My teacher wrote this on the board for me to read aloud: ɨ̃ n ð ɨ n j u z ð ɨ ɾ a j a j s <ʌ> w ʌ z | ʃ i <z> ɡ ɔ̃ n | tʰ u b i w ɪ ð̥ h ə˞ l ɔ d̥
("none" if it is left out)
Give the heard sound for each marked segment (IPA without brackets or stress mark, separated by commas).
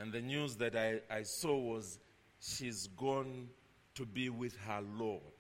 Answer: ɔ, z